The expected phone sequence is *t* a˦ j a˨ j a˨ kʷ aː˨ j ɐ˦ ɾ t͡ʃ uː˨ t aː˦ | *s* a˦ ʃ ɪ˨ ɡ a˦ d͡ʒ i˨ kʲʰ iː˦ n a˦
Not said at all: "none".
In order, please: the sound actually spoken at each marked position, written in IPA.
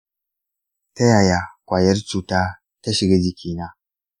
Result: t, t

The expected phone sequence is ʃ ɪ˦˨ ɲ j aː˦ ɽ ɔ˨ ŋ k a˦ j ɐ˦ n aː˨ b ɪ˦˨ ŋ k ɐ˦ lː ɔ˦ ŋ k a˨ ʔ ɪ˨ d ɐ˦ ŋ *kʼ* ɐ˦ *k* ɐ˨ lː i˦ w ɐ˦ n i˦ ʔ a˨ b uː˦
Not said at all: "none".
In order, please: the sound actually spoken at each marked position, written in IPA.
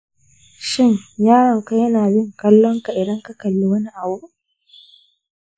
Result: k, k

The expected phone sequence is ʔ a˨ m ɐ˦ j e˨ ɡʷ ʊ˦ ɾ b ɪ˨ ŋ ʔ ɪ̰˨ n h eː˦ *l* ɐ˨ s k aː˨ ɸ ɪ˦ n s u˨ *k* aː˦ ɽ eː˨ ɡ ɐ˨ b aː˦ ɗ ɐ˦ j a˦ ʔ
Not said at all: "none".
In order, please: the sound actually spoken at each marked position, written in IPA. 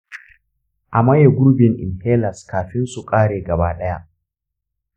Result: l, kʼ

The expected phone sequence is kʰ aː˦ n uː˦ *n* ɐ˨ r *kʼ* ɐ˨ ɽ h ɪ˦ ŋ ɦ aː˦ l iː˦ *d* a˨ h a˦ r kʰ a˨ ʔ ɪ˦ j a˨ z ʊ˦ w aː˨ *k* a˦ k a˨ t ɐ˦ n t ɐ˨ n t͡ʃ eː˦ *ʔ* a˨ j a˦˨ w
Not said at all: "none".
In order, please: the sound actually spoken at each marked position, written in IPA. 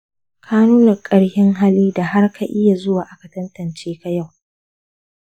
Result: n, kʼ, d, ʔ, k

